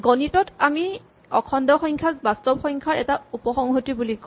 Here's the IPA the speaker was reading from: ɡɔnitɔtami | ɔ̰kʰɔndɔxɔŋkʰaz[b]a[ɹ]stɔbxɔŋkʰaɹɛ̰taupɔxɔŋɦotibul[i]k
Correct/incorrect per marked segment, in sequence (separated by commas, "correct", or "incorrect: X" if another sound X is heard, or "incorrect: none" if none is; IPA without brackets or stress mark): correct, incorrect: none, correct